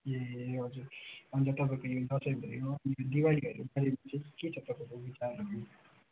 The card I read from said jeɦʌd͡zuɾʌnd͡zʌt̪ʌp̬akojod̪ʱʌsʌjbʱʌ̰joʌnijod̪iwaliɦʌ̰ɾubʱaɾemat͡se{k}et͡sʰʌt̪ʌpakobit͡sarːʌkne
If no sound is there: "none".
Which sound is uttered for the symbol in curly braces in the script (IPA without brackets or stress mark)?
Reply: k